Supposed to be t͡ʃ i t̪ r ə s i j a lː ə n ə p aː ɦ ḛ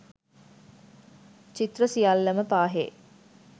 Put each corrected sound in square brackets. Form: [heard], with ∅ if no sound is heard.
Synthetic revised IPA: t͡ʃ i t̪ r ə s i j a lː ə [m] ə p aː ɦ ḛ